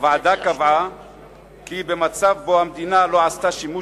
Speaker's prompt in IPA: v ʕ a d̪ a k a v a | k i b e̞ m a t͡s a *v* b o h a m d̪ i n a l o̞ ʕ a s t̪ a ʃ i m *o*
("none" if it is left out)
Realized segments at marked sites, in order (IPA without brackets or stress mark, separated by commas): v, u